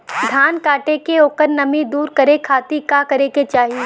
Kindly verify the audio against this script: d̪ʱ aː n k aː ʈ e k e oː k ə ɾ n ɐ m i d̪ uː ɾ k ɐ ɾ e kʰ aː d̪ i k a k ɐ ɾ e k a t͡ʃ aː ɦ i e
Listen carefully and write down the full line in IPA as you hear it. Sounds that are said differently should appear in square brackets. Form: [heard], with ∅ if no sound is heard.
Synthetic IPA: d̪ʱ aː n k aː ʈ e k e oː k ə ɾ n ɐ m i d̪ uː ɾ k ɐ ɾ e kʰ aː [t̪] i k a k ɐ ɾ e k [e] t͡ʃ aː ɦ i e

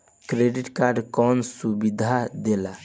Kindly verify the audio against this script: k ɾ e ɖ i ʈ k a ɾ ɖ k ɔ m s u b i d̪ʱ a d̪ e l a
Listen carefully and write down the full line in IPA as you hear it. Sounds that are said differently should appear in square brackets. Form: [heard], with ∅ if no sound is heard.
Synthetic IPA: k ɾ e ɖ i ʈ k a ɾ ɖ k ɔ [n] s u b i d̪ʱ a d̪ e l a

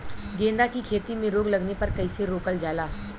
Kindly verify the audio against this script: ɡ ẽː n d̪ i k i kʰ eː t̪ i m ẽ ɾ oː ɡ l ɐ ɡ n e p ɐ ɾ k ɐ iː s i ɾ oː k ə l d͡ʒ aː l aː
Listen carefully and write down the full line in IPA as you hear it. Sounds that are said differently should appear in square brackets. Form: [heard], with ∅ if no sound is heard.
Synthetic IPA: ɡ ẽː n d̪ [a] k i kʰ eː t̪ i m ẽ ɾ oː ɡ l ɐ ɡ n e p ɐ ɾ k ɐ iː s [e] ɾ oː k ə l d͡ʒ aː l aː

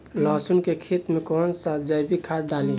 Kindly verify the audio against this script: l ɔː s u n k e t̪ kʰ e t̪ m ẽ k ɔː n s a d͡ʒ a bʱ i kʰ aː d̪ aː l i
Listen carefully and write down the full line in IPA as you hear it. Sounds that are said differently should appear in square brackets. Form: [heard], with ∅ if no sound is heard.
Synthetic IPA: l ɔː s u n k e [∅] kʰ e t̪ m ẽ k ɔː n s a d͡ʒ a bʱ i kʰ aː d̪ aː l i

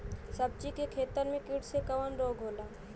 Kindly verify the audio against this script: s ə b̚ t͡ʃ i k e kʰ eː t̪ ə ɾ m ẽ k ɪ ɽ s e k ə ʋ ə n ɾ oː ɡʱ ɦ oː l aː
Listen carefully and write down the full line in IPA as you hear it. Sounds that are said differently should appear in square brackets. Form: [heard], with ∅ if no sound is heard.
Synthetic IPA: s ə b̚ t͡ʃ i k e kʰ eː t̪ ə ɾ m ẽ k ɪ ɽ s e k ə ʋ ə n ɾ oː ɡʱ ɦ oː l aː

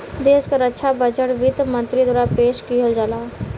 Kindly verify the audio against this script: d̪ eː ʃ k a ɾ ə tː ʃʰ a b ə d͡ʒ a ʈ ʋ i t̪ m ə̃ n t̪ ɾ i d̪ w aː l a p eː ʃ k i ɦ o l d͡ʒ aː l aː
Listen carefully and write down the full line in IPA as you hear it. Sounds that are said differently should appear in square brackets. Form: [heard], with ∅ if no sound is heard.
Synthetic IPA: d̪ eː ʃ k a ɾ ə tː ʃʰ a b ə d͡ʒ [ə] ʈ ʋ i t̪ m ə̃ n t̪ ɾ i d̪ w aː [ɾ] a p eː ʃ k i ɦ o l d͡ʒ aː l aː

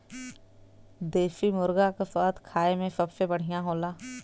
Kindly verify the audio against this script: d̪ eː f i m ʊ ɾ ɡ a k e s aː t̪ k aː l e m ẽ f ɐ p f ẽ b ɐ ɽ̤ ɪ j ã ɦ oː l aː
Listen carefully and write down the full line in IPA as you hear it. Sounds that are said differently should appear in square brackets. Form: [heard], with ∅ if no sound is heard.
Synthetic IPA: d̪ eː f i m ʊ ɾ ɡ a k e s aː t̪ [kʰ] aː [∅] e m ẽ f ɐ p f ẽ b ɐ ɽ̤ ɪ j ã ɦ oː l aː

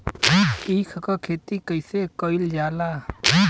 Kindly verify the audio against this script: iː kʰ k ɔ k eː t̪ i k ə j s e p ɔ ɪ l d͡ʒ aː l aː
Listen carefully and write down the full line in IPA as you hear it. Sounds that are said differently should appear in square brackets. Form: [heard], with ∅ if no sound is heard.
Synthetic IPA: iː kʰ k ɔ [kʰ] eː t̪ i k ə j s e [k] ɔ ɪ l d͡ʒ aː l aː

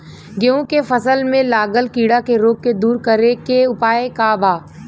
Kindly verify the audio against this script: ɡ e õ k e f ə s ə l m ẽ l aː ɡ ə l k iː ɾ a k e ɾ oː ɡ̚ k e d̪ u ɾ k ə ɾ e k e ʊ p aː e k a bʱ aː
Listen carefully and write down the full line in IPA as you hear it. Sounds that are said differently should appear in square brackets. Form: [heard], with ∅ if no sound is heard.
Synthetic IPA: ɡ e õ k e f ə s ə l m ẽ l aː ɡ ə l k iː [ɽ] a k e ɾ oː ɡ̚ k e d̪ [uː] ɾ k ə ɾ e k e ʊ p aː e k a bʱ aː

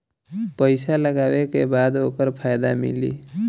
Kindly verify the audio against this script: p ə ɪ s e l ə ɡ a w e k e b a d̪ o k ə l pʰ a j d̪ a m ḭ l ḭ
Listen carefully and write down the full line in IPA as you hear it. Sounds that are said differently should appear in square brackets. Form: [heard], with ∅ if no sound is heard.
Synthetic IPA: p ə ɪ s [a] l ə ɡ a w e k e b a d̪ o k ə [ɾ] pʰ a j d̪ a m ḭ l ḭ

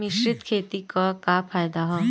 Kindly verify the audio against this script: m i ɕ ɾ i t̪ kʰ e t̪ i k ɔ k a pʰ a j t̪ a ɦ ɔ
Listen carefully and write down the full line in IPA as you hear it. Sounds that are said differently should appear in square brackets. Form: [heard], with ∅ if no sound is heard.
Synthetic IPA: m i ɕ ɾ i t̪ kʰ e t̪ i k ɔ k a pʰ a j [d̪] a ɦ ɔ

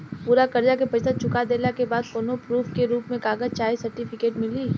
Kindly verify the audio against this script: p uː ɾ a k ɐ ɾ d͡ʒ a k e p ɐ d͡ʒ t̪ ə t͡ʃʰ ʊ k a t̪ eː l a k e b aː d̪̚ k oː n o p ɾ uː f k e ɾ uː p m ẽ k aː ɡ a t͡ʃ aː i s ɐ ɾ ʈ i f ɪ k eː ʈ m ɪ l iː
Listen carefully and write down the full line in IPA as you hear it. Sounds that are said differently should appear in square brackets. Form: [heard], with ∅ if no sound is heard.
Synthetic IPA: p uː ɾ a k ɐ ɾ d͡ʒ a k e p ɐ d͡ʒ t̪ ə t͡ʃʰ ʊ k a [d̪] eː l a k e b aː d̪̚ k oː n o p ɾ uː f k e ɾ uː p m ẽ k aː ɡ [ə] t͡ʃ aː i s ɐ ɾ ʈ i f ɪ k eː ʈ m ɪ l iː

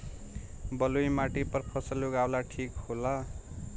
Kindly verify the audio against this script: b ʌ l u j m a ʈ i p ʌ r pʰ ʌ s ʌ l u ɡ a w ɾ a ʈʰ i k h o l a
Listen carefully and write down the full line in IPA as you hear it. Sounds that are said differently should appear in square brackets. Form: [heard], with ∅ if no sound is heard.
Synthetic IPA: b ʌ l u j m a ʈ i p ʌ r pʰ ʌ s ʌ l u ɡ a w [l] a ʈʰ i k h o l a

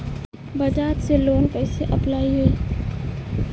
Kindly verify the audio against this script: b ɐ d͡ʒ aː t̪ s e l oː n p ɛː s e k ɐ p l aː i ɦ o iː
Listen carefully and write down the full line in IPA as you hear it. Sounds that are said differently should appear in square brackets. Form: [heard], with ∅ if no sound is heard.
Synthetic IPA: b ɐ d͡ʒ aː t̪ s e l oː n p ɛː s e [ʔ] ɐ p l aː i ɦ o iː

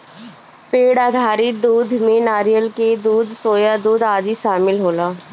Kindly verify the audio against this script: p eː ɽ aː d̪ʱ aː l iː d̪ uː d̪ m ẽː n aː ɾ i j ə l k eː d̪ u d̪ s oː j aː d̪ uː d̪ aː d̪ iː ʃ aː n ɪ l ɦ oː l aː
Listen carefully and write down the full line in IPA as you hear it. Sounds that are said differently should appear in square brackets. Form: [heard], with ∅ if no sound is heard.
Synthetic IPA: p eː ɽ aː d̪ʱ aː [ɾ] iː d̪ uː d̪ m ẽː n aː ɾ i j ə l k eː d̪ [uː] d̪ s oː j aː d̪ uː d̪ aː d̪ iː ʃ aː [m] ɪ l ɦ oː l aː

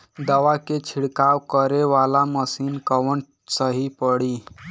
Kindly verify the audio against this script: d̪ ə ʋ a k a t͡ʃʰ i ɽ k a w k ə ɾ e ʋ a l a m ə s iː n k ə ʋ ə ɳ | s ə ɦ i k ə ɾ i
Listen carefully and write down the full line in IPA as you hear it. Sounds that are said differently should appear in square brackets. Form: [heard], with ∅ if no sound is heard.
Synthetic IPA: d̪ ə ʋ a k [e] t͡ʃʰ i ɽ k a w k ə ɾ e ʋ a l a m ə s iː n k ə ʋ ə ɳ | s ə ɦ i [p] ə [ɽ] i

